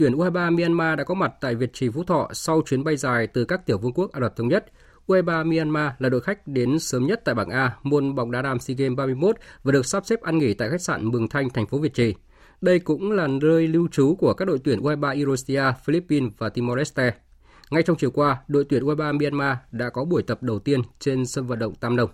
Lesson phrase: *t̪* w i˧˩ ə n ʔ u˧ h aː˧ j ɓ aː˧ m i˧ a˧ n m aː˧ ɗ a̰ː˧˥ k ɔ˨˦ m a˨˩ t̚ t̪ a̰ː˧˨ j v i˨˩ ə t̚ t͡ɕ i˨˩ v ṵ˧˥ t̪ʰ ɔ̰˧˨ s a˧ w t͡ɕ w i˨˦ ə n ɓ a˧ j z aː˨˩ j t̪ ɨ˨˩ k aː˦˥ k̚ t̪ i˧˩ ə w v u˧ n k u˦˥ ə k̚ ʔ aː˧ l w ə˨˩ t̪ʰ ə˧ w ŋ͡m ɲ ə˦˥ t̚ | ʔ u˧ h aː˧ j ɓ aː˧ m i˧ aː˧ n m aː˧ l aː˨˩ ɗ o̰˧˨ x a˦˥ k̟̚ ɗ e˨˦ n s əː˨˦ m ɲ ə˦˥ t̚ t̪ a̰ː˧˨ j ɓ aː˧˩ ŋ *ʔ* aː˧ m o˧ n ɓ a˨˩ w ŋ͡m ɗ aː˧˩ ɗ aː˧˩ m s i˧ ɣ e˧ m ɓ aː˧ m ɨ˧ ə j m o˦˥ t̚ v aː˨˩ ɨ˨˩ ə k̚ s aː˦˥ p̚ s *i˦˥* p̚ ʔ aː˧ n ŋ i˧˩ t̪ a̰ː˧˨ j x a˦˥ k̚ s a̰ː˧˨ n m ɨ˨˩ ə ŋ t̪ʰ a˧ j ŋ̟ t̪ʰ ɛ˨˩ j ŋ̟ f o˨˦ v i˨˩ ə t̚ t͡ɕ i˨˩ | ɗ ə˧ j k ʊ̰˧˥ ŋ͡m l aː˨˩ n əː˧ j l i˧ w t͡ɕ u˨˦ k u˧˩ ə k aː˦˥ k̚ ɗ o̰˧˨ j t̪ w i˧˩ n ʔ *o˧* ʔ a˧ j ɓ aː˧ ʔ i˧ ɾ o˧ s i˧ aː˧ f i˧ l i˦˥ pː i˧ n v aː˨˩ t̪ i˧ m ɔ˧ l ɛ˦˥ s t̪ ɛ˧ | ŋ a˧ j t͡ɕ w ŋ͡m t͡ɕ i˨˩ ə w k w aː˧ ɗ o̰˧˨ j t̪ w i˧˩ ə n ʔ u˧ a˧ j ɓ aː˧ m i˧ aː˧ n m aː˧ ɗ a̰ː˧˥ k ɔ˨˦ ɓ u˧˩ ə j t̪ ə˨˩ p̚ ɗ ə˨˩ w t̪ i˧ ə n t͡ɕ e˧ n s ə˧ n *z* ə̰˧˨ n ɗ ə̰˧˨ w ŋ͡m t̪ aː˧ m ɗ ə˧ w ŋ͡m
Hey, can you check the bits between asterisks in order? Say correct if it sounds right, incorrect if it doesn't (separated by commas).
correct, correct, incorrect, incorrect, incorrect